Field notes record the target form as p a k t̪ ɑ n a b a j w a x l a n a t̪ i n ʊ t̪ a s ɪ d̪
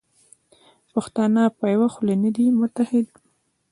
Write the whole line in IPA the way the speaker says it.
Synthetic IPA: p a x t̪ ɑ n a p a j w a x l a n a d̪ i m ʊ t̪ a h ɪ d̪